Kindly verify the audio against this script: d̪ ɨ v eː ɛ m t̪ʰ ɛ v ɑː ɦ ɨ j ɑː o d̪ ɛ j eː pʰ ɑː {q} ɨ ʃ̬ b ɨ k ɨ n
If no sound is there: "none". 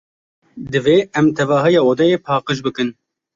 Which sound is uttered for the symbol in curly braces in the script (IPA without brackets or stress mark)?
q